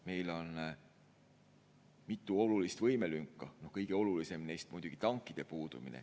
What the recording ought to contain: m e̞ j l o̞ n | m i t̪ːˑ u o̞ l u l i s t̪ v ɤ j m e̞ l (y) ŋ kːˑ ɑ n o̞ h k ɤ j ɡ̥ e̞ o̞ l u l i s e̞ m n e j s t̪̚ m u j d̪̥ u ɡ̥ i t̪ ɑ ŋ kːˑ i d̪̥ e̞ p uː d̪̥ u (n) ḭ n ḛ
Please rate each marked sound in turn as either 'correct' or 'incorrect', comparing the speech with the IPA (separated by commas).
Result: correct, incorrect